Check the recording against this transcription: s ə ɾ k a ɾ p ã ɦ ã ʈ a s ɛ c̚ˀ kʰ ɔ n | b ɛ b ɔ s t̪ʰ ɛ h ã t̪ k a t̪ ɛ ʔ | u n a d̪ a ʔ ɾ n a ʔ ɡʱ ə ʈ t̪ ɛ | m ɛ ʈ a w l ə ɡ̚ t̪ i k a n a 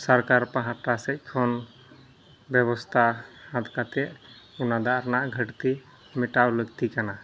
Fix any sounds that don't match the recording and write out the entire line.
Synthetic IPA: s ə ɾ k a ɾ p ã ɦ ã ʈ a s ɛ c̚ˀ kʰ ɔ n | b ɛ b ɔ s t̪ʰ a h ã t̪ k a t̪ ɛ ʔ | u n a d̪ a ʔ ɾ n a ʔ ɡʱ ə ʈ t̪ i | m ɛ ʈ a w l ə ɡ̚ t̪ i k a n a